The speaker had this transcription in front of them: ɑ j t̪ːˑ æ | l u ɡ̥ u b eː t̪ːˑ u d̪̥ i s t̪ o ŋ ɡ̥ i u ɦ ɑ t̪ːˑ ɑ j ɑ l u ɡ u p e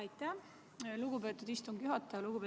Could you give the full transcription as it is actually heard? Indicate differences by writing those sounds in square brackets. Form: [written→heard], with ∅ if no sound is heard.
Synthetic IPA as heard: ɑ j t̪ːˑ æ | l u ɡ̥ u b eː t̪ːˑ u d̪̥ i s t̪ [o→u] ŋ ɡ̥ [i→j] u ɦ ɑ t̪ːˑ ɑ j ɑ l u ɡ u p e